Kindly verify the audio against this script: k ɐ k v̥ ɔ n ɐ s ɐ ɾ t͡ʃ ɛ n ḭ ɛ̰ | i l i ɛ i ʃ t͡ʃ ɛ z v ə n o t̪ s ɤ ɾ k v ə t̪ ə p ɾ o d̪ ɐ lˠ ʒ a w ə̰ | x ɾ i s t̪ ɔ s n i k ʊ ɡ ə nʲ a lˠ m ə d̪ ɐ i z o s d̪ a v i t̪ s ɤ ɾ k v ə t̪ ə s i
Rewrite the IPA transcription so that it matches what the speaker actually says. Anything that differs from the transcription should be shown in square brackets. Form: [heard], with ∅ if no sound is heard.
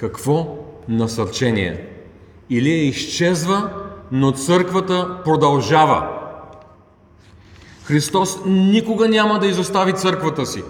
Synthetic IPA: k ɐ k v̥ ɔ n ɐ s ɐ ɾ t͡ʃ ɛ n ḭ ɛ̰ | i l i ɛ i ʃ t͡ʃ ɛ z v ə n o t̪ s ɤ ɾ k v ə t̪ ə p ɾ o d̪ ɐ lˠ ʒ a [v] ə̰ | x ɾ i s t̪ ɔ s n i k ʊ ɡ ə nʲ a [∅] m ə d̪ ɐ i z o s [t̪] a v i t̪ s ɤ ɾ k v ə t̪ ə s i